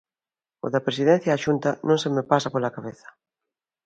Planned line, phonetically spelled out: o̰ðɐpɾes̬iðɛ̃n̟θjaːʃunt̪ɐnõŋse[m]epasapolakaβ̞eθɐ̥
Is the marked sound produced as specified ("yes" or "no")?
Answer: yes